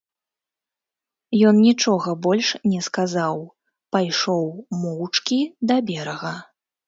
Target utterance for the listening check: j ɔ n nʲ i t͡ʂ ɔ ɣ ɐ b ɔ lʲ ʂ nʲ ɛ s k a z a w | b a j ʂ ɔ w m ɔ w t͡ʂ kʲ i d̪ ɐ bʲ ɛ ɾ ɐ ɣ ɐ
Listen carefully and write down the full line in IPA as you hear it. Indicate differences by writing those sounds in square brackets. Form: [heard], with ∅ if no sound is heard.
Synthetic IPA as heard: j ɔ n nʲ i t͡ʂ ɔ ɣ ɐ b ɔ lʲ ʂ nʲ ɛ s k a z a w | [p] a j ʂ ɔ w m ɔ w t͡ʂ kʲ i d̪ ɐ bʲ ɛ ɾ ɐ ɣ ɐ